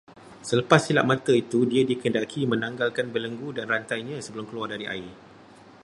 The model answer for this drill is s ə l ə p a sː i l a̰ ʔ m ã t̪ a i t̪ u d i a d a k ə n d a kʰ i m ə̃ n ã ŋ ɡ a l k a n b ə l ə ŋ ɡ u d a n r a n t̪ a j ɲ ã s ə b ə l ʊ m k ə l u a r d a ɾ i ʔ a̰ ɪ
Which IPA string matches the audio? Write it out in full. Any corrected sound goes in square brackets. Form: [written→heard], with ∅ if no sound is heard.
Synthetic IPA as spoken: s ə l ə p a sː i l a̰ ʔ m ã t̪ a i t̪ u d i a d [a→i] k ə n d a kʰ i m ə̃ n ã ŋ ɡ a l k a n b ə l ə ŋ ɡ u d a n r a n t̪ a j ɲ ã s ə b ə l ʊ m k ə l u a r d a ɾ i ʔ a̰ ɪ